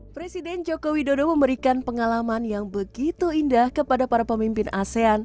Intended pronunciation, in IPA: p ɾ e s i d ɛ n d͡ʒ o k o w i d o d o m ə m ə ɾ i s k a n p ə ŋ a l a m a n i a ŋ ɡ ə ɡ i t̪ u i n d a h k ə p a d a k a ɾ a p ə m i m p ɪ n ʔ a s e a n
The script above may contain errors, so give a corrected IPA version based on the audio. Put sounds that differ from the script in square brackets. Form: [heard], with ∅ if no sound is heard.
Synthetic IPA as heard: p ɾ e s i d ɛ n d͡ʒ o k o w i d o d o m ə m ə ɾ i [∅] k a n p ə ŋ a l a m a n [j] a ŋ [b] ə ɡ i t̪ u i n d a h k ə p a d a [p] a ɾ a p ə m i m p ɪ n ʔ a s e a n